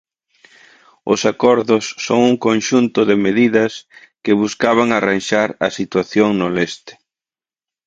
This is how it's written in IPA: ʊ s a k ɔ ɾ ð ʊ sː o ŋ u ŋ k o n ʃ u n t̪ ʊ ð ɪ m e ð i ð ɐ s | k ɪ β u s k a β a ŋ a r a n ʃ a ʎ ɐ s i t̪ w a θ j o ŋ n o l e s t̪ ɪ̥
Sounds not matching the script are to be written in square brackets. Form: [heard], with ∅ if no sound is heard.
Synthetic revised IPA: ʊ s a k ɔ ɾ ð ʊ sː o ŋ u ŋ k o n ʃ u n t̪ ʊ ð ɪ m e ð i ð ɐ s | k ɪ β u s k a β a ŋ a r a n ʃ a [ɾ] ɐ s i t̪ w a θ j o ŋ n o l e s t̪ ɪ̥